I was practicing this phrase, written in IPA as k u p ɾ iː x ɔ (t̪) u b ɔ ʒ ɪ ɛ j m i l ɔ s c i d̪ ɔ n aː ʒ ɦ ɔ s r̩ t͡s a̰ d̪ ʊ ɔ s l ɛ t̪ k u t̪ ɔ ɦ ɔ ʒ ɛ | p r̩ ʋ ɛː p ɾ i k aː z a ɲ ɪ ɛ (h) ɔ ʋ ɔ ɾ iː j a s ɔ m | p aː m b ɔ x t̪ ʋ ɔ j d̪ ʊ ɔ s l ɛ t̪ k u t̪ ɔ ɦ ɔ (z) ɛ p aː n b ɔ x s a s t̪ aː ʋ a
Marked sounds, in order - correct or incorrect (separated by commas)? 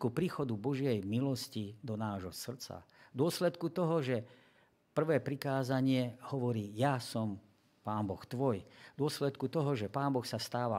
incorrect, correct, incorrect